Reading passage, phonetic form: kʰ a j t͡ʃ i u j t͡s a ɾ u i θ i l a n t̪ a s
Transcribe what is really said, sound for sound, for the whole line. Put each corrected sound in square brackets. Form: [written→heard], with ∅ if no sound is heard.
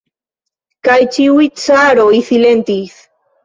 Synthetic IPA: [kʰ→k] a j t͡ʃ i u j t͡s a ɾ [u→o] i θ i l [a→e] n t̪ [a→i] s

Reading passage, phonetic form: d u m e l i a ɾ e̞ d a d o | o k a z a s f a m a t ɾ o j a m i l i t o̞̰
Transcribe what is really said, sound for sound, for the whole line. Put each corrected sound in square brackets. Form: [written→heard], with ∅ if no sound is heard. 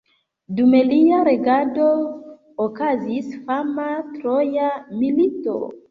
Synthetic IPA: d u m e l i a ɾ e̞ [d→ɡ] a d o | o k a z [a→i] s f a m a t ɾ o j a m i l i t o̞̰

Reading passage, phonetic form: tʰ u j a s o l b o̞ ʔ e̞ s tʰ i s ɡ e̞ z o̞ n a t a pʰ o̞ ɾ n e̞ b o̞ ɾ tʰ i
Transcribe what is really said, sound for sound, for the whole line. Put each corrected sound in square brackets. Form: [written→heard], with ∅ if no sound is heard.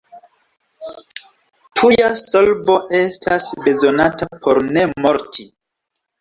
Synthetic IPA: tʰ u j a s o l b o̞ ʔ e̞ s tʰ [i→a] s [ɡ→b] e̞ z o̞ n a t a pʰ o̞ ɾ n e̞ [b→m] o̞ ɾ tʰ i

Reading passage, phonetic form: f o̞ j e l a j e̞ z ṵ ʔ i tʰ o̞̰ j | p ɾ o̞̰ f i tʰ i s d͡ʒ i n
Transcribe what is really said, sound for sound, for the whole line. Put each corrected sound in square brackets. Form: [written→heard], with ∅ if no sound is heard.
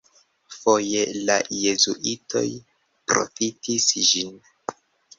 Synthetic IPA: f o̞ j e l a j e̞ z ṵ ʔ i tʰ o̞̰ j | p ɾ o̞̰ f i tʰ i s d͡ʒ i n

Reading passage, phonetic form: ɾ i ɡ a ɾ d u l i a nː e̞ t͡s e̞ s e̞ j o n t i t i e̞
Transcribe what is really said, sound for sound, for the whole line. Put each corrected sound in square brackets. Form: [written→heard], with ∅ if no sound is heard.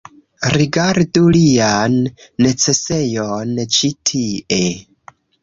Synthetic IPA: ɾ i ɡ a ɾ d u l i a nː e̞ t͡s e̞ s e̞ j o n [t→t͡ʃ] i [t→tʰ] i e̞

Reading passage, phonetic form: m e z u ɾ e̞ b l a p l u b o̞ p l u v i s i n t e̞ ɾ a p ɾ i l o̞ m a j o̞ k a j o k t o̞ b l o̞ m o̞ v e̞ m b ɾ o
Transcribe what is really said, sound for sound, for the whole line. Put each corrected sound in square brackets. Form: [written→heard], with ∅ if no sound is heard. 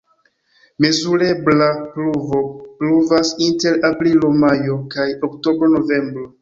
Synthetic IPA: m e z u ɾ e̞ b l a p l u [b→v] o̞ p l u v [i→a] s i n t e̞ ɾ a p ɾ i l o̞ m a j o̞ k a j o k t o̞ b [l→ɾ] o̞ [m→n] o̞ v e̞ m b ɾ o

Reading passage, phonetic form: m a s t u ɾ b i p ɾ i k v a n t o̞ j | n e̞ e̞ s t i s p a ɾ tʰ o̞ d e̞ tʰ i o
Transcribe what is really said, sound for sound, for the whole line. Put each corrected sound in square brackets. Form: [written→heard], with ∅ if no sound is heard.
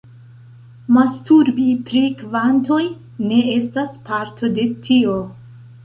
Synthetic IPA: m a s t u ɾ b i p ɾ i k v a n t o̞ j | n e̞ e̞ s t [i→a] s p a ɾ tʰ o̞ d e̞ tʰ i o

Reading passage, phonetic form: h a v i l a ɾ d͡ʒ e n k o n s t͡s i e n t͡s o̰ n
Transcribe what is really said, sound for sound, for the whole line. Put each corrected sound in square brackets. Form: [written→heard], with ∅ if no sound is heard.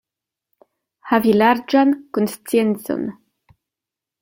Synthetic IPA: h a v i l a ɾ d͡ʒ [e→a] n k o n s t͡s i e n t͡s o̰ n

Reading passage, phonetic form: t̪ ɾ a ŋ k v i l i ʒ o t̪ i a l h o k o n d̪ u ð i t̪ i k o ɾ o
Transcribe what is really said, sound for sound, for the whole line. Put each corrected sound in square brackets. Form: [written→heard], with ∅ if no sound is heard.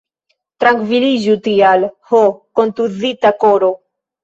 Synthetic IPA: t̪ ɾ a ŋ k v i l i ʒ [o→u] t̪ i a l h o k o n [d̪→t̪] u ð i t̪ [i→a] k o ɾ o

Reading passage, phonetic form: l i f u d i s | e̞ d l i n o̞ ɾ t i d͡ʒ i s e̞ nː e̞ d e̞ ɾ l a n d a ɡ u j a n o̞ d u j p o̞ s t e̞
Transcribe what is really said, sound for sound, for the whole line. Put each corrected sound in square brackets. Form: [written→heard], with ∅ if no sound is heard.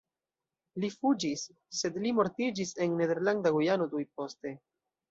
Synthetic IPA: l i f u [d→d͡ʒ] i [s→sː] | e̞ d l i [n→m] o̞ ɾ t i d͡ʒ i s e̞ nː e̞ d e̞ ɾ l a n d a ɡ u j a n o̞ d u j p o̞ s t e̞

